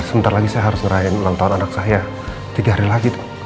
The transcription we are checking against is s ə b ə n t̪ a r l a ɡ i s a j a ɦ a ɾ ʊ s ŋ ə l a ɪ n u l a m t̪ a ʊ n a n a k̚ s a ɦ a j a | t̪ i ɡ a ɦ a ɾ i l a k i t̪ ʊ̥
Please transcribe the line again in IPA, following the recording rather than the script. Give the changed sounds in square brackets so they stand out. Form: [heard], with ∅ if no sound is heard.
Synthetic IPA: s ə b ə n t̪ a r l a ɡ i s a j a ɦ a ɾ ʊ s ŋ ə [ɾ] a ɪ n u l a [ŋ] t̪ a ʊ n a n a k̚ s a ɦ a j a | t̪ i ɡ a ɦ a ɾ i l a [ɡ] i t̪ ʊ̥

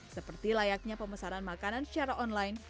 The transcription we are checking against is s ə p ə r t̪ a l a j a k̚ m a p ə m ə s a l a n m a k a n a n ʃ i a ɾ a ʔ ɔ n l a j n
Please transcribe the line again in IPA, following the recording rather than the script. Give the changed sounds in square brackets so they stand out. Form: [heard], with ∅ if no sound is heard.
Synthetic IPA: s ə p ə r t̪ [i] l a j a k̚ [ɲ] a p ə m ə s a [ɾ] a n m a k a n a n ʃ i a ɾ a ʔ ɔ n l a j n

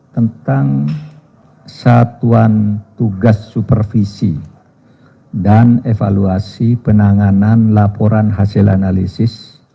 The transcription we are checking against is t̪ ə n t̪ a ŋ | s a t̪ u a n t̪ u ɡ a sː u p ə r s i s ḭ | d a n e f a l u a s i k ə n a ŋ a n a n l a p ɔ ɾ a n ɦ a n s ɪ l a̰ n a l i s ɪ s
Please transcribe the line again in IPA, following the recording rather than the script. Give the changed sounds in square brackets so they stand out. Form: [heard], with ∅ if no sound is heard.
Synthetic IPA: t̪ ə n t̪ a ŋ | s a t̪ u a n t̪ u ɡ a sː u p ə r [f] i s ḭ | d a n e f a l u a s i [p] ə n a ŋ a n a n l a p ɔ ɾ a n ɦ a [∅] s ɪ l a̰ n a l i s ɪ s

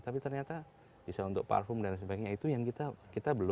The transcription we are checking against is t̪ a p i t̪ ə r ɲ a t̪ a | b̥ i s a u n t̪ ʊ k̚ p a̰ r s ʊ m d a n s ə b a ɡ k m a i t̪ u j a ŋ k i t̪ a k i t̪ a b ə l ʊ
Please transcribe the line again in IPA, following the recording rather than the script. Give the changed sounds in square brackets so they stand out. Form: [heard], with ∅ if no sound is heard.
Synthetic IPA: t̪ a p i t̪ ə r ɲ a t̪ a | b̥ i s a u n t̪ ʊ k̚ p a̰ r [f] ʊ m d a n s ə b a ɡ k [ɲ] a i t̪ u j a ŋ k i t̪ a k i t̪ a b ə l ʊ

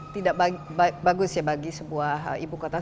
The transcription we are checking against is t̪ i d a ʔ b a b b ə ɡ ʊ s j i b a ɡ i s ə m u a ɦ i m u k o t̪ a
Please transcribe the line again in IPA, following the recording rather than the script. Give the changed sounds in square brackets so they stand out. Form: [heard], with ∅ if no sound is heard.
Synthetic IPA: t̪ i d a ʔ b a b b [a] ɡ ʊ s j [a] b a ɡ i s ə [b] u a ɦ i [b] u k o t̪ a

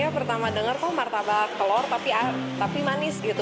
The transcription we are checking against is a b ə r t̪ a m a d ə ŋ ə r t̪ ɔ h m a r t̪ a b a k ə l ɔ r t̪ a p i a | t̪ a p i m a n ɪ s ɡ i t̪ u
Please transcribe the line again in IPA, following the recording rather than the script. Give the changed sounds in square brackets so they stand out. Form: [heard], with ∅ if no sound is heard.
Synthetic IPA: a [p] ə r t̪ a m a d ə ŋ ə r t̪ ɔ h m a r t̪ a b a k ə l ɔ r t̪ a p i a | t̪ a p i m a n ɪ s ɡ i t̪ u

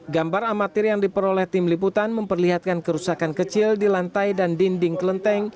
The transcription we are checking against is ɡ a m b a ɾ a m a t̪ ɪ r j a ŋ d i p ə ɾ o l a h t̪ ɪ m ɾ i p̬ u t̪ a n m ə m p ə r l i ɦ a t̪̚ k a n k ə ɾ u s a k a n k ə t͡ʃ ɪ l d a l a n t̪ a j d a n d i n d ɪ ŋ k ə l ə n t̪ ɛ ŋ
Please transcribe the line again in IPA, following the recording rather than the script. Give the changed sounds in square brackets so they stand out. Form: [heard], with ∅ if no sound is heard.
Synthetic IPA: ɡ a m b a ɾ a m a t̪ ɪ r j a ŋ d i p ə ɾ o l [ɛ] h t̪ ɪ m [l] i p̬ u t̪ a n m ə m p ə r l i ɦ a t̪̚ k a n k ə ɾ u s a k a n k ə t͡ʃ ɪ l d [i] l a n t̪ a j d a n d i n d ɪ ŋ k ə l ə n t̪ ɛ ŋ

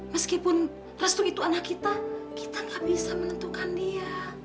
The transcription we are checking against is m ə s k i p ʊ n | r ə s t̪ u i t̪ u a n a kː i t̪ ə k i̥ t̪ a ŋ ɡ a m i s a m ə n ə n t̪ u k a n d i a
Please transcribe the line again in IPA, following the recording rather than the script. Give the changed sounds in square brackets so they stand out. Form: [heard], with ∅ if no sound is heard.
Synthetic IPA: m ə s k i p ʊ n | r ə s t̪ u i t̪ u a n a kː i t̪ [a] k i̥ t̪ a ŋ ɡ a [b] i s a m ə n ə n t̪ u k a n d i a

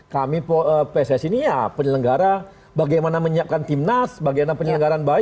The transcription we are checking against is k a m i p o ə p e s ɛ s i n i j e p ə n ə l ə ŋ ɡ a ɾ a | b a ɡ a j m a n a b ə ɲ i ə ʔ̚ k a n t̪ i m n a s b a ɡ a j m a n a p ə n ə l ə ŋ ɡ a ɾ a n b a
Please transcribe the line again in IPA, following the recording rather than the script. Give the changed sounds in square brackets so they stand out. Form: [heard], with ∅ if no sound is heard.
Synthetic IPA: k a m i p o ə p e s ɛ s i n i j [a] p ə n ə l ə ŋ ɡ a ɾ a | b a ɡ a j m a n a [m] ə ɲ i [a] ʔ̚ k a n t̪ i m n a s b a ɡ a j m a n a p ə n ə l ə ŋ ɡ a ɾ a n b a

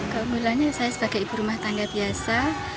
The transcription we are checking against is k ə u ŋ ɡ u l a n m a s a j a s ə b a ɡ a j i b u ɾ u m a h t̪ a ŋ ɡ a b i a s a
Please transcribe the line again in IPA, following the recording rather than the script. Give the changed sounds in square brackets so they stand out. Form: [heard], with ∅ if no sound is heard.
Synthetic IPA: k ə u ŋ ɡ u l a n [ɲ] a s a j a s ə b a ɡ a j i b u ɾ u m a h t̪ a ŋ ɡ a b i a s a

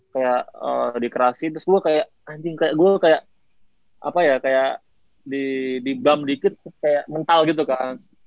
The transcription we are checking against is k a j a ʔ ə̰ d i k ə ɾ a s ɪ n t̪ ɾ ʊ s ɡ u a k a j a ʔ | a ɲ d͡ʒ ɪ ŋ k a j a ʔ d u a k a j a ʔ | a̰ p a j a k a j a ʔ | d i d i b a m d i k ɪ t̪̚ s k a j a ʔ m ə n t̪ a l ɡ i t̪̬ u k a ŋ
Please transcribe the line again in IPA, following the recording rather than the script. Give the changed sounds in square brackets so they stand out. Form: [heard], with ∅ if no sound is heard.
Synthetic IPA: k a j a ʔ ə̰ d i k ə ɾ a s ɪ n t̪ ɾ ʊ s ɡ u a k a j a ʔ | a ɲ d͡ʒ ɪ ŋ k a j a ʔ [ɡ] u a k a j a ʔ | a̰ p a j a k a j a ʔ | d i d i b a m d i k ɪ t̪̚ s k a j a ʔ m ə n t̪ a l ɡ i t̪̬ u k a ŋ

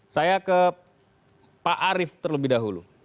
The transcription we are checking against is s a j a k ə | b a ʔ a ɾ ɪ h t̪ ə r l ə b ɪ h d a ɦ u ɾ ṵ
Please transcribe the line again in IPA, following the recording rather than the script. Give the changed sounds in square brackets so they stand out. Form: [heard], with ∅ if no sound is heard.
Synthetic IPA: s a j a k ə | [p] a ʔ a ɾ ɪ [f] t̪ ə r l ə b ɪ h d a ɦ u [l] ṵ

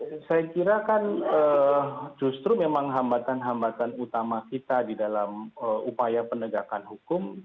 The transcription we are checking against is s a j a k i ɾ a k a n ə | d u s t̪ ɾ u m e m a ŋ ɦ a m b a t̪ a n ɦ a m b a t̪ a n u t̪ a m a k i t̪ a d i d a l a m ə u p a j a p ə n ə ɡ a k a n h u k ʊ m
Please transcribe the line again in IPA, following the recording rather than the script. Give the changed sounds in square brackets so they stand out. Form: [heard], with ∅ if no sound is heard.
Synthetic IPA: s a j a k i ɾ a k a n ə | [d͡ʒ] u s t̪ ɾ u m e m a ŋ ɦ a m b a t̪ a n ɦ a m b a t̪ a n u t̪ a m a k i t̪ a d i d a l a m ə u p a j a p ə n ə ɡ a k a n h u k ʊ m

